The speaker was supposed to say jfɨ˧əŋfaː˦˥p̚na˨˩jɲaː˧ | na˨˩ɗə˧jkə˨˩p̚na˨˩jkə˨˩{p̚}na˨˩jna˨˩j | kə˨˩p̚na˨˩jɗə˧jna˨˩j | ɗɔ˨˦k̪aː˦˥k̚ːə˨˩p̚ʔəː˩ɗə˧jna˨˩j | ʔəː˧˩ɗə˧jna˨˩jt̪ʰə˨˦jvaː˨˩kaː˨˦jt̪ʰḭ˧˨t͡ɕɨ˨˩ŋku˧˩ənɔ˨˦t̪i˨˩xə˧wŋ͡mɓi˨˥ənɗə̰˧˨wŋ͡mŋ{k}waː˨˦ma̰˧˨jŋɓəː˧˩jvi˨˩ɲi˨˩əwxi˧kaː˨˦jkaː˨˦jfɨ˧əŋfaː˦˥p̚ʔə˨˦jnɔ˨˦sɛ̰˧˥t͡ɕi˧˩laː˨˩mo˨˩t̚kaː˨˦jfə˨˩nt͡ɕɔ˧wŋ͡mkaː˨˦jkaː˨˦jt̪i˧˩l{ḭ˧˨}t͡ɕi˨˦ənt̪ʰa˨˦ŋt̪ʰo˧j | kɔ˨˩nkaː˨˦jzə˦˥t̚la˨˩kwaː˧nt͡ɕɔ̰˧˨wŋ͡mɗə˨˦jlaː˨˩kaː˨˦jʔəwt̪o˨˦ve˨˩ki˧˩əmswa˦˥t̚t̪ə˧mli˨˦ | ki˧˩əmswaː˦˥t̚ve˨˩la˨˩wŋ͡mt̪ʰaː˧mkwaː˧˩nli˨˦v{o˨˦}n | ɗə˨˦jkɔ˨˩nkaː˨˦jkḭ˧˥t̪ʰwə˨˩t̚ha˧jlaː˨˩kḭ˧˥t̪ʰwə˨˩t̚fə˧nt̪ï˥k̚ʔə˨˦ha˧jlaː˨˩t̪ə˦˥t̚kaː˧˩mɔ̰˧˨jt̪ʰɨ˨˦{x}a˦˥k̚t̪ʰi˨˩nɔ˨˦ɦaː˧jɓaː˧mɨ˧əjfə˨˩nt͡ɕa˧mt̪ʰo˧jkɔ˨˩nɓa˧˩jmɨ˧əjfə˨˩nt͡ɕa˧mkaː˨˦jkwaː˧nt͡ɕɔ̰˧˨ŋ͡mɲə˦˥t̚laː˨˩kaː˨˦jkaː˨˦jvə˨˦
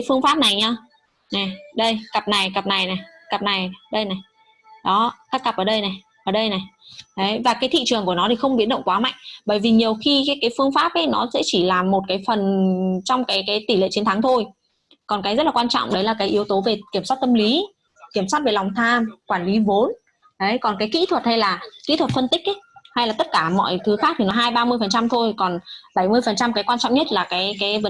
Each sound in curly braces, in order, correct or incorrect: correct, correct, incorrect: ḛ˧˨, correct, correct

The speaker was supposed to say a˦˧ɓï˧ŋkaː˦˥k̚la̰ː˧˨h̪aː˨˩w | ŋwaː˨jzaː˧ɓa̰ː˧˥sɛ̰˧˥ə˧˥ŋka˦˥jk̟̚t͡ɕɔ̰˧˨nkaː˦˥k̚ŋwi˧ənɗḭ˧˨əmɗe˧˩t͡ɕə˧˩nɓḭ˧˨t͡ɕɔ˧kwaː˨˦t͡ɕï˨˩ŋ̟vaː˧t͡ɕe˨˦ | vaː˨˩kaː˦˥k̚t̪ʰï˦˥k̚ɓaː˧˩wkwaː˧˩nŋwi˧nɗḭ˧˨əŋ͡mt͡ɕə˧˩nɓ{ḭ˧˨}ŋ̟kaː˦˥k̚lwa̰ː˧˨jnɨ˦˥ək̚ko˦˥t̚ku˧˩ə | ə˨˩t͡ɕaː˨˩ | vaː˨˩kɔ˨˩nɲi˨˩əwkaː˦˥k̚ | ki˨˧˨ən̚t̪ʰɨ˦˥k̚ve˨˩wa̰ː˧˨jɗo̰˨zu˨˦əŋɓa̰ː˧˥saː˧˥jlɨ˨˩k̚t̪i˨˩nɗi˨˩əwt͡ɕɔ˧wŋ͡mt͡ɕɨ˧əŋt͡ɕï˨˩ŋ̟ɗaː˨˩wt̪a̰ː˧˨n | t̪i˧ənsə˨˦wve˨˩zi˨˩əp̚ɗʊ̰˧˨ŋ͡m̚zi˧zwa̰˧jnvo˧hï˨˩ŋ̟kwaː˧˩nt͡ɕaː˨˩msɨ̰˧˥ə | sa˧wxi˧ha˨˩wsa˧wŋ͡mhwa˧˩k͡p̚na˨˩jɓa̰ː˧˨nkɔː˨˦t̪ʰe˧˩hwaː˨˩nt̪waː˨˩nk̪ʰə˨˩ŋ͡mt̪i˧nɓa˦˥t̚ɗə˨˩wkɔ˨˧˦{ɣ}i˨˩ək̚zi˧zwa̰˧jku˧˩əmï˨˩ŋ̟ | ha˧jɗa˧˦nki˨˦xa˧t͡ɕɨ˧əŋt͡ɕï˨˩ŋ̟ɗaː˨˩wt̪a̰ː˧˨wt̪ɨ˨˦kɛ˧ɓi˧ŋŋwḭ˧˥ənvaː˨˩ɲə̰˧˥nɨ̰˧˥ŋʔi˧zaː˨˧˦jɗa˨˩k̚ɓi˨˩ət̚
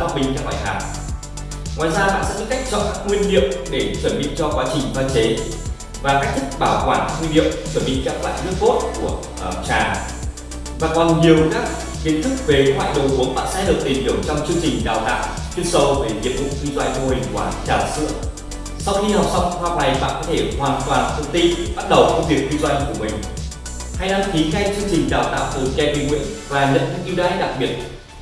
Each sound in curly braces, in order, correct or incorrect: correct, incorrect: v

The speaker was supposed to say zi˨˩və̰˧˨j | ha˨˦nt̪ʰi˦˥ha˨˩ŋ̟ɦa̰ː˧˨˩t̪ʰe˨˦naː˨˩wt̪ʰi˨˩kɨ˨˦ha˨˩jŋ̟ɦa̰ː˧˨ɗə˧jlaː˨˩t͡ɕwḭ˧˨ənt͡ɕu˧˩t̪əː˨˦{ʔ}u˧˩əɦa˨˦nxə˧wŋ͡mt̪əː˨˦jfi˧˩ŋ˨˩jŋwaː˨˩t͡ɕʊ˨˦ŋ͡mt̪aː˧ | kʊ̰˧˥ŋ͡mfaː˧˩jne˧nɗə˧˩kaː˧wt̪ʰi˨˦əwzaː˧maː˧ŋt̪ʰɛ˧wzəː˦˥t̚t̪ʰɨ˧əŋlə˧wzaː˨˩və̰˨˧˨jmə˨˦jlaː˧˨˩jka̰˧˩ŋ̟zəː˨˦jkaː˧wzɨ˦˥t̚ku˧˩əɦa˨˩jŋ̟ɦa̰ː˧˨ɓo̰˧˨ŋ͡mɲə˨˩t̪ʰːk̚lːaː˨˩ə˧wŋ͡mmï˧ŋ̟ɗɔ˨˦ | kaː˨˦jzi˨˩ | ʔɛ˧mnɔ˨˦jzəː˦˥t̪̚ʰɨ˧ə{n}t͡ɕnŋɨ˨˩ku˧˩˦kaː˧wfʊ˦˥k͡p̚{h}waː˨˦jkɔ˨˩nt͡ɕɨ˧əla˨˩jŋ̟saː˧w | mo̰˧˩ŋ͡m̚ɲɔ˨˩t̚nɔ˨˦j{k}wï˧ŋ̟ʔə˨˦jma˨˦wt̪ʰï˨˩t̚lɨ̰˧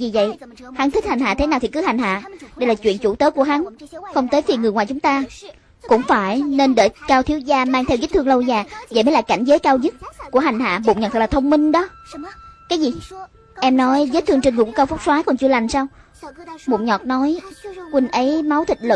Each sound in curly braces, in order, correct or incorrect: incorrect: k, incorrect: ŋ, incorrect: s, correct

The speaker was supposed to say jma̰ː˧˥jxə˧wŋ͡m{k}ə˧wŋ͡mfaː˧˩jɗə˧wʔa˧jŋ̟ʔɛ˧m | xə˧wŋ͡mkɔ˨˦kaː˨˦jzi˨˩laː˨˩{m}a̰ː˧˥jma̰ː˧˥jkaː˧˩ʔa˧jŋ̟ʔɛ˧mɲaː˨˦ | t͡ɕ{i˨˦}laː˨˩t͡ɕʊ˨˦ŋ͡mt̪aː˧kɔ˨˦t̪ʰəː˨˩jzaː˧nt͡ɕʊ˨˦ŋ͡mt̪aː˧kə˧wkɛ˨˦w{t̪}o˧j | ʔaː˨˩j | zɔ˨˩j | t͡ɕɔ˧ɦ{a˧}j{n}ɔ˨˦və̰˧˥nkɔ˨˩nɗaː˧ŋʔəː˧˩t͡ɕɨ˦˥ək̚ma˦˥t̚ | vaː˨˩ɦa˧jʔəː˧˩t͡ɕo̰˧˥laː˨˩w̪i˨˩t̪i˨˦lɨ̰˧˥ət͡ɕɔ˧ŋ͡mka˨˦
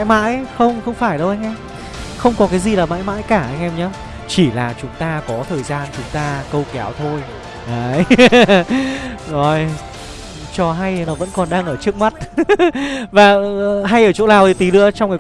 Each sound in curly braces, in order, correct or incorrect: incorrect: x, correct, incorrect: i˧˩, incorrect: t̪ʰ, correct, correct

